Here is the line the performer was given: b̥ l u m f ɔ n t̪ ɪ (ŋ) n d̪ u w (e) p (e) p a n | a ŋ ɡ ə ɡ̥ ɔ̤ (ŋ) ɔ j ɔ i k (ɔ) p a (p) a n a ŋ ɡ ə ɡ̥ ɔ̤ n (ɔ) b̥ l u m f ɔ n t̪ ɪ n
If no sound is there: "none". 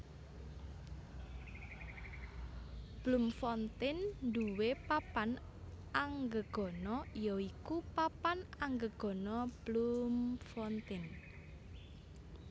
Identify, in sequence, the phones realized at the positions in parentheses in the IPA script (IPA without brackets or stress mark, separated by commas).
n, e, a, n, u, p, ɔ